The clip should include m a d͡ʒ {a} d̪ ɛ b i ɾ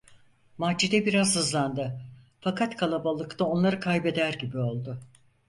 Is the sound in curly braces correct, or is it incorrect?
incorrect